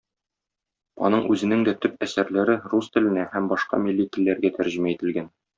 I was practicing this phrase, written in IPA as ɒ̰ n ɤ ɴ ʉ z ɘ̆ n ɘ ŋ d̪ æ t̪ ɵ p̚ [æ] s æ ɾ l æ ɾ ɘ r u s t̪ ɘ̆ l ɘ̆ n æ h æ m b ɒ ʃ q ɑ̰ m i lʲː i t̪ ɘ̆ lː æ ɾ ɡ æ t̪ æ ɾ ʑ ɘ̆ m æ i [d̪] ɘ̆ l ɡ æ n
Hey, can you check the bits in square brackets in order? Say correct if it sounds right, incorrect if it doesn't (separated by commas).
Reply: correct, incorrect